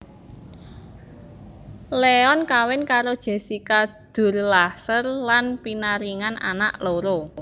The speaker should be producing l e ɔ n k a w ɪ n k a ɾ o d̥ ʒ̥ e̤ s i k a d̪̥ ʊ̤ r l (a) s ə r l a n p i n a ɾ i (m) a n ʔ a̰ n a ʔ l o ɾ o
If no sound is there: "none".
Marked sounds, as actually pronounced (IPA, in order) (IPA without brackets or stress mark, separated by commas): a, ŋ